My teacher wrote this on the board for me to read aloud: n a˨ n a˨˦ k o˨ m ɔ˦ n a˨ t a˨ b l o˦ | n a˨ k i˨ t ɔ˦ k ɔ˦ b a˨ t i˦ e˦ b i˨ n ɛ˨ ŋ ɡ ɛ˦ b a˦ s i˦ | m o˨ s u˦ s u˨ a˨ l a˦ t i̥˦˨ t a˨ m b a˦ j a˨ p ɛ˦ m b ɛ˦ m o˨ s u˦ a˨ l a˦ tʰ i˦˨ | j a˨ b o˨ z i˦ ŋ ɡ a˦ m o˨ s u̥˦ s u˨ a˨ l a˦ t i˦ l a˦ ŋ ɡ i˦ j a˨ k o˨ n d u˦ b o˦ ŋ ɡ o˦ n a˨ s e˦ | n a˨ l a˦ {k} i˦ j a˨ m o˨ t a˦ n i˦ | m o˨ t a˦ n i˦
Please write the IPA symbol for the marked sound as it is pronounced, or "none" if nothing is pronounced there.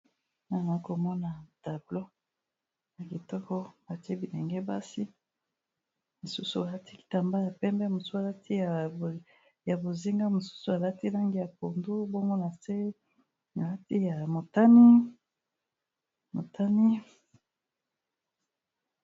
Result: t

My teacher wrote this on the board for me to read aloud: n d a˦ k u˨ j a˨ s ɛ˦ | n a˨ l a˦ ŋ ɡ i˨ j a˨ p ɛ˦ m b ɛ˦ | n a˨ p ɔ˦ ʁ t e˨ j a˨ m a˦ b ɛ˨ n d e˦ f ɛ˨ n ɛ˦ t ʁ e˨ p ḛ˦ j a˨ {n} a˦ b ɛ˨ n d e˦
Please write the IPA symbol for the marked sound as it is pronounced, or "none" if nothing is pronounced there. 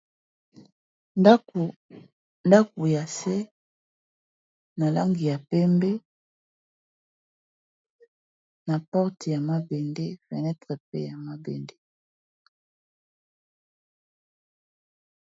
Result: m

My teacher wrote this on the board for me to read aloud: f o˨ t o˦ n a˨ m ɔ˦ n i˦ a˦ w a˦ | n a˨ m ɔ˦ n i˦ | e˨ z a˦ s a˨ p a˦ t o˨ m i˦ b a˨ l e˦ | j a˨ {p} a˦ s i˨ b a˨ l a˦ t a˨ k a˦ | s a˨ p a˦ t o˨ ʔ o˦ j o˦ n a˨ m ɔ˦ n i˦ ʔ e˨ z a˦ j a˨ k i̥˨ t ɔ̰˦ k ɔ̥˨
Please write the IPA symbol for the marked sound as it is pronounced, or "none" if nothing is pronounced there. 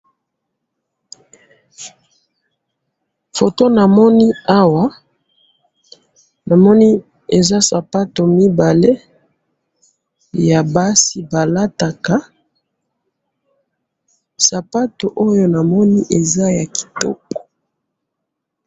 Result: b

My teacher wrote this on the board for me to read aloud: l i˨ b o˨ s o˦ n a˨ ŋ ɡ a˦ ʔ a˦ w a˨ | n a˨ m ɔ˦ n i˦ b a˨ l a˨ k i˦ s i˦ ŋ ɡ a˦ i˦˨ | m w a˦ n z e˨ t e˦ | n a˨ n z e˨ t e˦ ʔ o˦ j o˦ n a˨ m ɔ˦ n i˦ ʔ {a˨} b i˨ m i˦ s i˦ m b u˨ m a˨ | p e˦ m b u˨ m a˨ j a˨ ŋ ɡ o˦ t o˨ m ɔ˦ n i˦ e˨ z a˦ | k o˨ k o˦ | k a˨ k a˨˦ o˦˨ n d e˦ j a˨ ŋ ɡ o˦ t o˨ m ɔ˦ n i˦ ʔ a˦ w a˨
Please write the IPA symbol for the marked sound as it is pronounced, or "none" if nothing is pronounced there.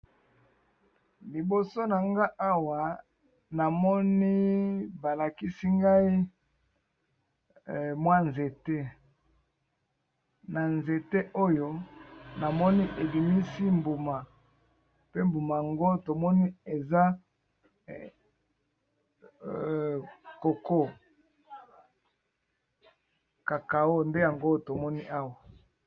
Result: e˨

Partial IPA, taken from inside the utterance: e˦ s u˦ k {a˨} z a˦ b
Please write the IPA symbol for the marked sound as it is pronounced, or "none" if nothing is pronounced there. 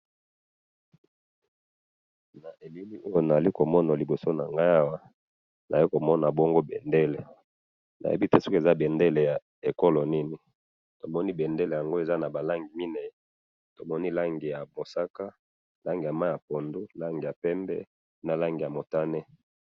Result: e˨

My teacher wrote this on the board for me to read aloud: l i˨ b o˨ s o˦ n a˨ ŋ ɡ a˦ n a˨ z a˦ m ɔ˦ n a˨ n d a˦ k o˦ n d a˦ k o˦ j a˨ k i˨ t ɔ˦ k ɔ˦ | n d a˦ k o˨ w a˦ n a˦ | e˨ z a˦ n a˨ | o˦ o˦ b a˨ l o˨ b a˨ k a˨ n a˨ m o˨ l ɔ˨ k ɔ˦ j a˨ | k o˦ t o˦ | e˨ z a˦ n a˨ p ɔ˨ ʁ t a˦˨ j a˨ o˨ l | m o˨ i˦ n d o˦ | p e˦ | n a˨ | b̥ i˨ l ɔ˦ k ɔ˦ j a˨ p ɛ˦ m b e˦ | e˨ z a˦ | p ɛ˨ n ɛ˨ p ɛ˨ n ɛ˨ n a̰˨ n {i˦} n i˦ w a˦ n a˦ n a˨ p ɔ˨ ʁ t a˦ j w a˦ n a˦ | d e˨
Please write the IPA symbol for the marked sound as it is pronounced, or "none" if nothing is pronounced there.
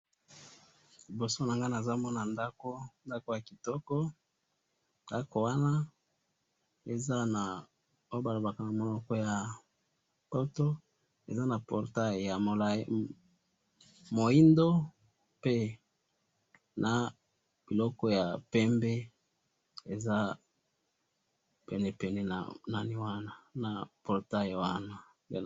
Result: a˦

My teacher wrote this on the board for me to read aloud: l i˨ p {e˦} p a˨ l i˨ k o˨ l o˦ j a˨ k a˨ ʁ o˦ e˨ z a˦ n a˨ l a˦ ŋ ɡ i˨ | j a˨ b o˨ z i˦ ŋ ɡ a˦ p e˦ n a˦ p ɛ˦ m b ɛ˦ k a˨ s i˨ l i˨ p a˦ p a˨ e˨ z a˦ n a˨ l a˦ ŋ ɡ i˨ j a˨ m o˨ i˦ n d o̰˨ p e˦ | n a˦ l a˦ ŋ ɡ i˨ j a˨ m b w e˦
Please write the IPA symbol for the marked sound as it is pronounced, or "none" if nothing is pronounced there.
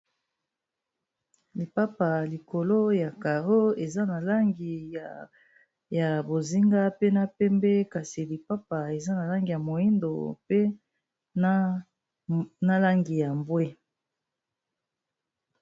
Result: a˦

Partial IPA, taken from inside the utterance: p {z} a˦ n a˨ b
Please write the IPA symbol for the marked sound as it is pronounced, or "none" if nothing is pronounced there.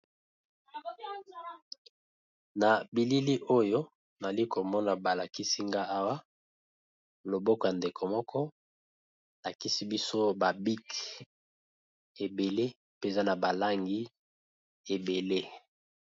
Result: z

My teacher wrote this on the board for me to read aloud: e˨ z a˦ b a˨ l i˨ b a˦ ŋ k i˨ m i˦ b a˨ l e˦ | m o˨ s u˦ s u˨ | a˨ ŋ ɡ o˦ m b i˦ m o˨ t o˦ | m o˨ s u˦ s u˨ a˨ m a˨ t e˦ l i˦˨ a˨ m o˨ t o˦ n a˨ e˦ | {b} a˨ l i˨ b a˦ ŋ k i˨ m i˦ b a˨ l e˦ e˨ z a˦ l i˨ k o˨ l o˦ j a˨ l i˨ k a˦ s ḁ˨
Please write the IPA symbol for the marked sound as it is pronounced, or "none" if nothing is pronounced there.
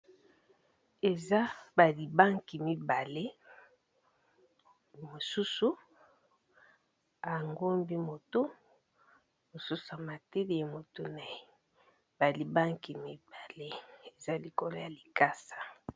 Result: b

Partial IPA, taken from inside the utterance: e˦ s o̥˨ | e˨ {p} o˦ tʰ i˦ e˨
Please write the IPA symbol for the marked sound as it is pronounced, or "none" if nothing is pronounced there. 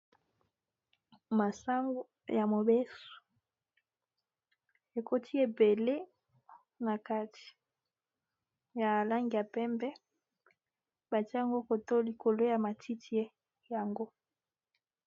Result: k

